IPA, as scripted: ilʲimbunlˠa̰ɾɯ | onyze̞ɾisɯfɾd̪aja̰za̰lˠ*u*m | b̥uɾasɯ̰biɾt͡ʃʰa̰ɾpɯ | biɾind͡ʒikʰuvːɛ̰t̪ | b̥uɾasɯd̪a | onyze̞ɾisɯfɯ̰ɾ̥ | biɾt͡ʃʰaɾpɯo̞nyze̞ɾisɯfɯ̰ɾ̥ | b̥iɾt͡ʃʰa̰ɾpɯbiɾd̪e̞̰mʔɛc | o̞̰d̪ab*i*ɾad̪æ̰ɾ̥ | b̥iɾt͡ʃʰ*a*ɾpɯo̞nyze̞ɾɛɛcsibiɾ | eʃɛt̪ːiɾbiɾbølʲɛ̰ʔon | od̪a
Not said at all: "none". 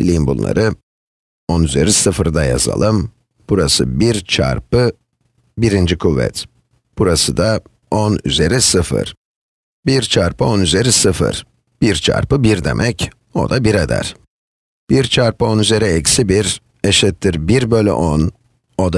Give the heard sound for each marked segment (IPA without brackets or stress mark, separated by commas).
ɯ, i, a